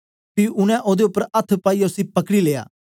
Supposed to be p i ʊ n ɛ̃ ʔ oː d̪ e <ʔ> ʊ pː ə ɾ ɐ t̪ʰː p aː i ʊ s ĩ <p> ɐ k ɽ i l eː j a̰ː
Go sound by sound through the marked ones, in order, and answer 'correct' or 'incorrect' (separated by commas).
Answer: incorrect, correct